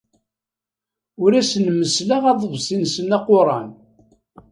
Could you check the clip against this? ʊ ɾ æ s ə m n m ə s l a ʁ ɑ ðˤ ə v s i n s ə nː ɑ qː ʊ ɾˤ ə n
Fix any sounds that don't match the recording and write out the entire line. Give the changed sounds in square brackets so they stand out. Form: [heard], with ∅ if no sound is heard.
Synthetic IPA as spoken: ʊ ɾ æ s ə [∅] n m ə s l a ʁ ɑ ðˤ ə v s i n s ə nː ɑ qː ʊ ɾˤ [ɑ] n